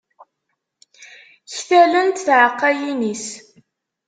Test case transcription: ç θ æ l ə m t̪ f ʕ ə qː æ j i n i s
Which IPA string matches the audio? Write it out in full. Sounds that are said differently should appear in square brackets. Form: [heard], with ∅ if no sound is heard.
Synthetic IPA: ç θ æ l ə [n] t̪ [θ] ʕ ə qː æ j i n i s